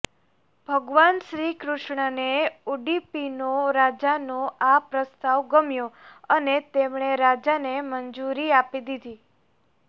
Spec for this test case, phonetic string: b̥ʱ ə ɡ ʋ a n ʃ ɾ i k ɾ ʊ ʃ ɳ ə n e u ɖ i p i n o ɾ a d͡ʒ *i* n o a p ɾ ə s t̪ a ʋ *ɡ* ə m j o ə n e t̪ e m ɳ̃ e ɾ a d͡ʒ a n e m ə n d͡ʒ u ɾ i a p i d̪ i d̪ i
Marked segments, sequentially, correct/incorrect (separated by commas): incorrect, correct